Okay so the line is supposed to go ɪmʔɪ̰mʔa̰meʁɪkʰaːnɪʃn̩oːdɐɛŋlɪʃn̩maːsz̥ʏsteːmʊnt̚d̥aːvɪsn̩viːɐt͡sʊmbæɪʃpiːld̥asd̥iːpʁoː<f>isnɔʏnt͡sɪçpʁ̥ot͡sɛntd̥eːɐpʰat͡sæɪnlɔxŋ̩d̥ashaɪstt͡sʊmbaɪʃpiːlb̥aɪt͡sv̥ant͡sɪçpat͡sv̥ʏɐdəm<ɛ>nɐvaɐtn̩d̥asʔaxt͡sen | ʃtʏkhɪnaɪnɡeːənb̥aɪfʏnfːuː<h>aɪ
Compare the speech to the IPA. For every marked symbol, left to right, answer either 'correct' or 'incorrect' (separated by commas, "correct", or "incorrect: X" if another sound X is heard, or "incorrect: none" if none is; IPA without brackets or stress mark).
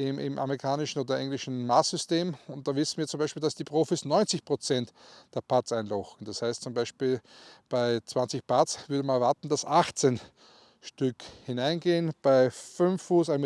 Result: correct, incorrect: a, incorrect: s